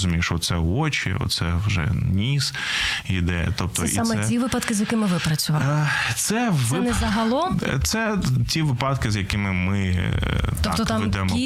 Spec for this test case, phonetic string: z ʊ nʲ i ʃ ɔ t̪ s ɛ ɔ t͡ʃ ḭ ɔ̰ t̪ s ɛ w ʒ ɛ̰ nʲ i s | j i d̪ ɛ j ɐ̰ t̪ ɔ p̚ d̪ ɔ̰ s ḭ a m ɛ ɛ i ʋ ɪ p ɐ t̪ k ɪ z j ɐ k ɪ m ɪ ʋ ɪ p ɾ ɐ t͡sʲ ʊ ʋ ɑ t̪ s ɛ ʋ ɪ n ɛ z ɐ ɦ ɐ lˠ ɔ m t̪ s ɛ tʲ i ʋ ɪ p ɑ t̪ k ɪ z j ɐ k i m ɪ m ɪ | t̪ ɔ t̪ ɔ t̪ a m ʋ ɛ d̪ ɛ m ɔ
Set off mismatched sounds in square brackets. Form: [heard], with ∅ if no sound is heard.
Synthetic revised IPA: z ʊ [mʲ] i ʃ ɔ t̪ s ɛ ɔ t͡ʃ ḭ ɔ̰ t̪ s ɛ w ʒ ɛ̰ nʲ i s | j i d̪ ɛ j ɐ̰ t̪ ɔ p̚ [t̪] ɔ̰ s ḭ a m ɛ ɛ i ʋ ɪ p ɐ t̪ k ɪ z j ɐ k ɪ m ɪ ʋ ɪ p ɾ ɐ t͡sʲ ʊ ʋ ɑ t̪ s ɛ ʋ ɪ n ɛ z ɐ ɦ ɐ lˠ ɔ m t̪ s ɛ tʲ i ʋ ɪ p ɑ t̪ k ɪ z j ɐ k [ɪ] m ɪ m ɪ | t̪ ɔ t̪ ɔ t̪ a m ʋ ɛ d̪ ɛ m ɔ